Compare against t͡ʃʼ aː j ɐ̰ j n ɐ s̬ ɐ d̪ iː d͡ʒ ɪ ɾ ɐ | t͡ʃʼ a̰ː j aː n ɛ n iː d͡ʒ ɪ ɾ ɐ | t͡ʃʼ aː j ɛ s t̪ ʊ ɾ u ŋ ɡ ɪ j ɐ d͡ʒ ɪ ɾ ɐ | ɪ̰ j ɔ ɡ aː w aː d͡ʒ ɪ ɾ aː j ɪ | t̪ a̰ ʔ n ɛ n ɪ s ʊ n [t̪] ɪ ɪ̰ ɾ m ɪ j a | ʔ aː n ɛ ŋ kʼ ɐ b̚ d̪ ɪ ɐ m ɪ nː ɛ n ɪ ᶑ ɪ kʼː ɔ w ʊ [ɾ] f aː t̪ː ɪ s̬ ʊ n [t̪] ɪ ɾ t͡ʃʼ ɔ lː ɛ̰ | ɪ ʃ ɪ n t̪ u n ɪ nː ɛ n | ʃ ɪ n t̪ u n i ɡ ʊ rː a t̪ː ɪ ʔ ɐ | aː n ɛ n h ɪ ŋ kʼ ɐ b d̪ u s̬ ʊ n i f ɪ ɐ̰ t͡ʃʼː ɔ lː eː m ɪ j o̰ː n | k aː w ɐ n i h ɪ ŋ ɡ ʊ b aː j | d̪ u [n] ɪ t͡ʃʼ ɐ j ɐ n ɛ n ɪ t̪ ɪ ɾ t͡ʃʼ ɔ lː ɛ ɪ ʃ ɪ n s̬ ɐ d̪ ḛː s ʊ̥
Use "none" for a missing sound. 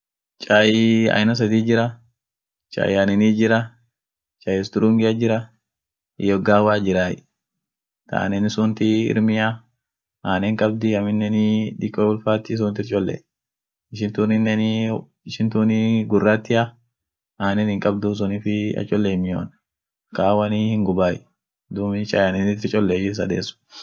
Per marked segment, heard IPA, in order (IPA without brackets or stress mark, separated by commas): t̪, l, t̪, m